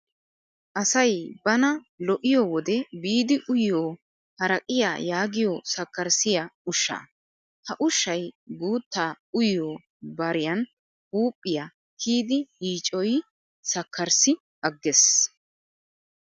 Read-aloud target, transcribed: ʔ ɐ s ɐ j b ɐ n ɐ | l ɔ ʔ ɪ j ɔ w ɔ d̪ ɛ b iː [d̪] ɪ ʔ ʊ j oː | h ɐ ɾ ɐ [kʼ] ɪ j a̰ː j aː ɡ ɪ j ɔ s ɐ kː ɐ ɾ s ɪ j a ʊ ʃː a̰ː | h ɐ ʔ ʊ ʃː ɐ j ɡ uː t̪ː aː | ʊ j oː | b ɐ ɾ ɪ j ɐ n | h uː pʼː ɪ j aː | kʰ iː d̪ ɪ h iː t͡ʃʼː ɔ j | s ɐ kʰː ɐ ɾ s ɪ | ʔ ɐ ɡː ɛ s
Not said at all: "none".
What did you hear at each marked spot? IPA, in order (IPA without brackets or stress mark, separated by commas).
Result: d̪, kʼ